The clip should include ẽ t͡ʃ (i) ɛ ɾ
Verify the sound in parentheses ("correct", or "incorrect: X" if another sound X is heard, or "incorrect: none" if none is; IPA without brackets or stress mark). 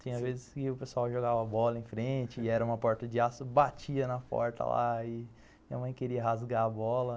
incorrect: ɪ